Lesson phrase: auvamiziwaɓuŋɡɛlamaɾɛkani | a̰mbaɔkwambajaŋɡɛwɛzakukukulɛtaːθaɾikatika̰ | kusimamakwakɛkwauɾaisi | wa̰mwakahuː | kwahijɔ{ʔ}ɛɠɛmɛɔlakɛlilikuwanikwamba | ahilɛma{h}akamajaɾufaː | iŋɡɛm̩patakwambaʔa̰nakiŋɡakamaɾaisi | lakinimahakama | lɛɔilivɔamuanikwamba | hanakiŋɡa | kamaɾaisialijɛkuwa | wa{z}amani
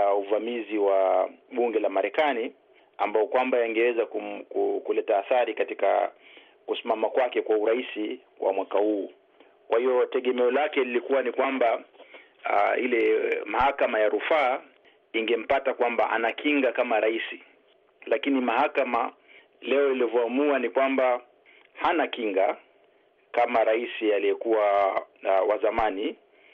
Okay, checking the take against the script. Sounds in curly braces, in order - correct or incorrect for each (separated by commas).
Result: incorrect, correct, correct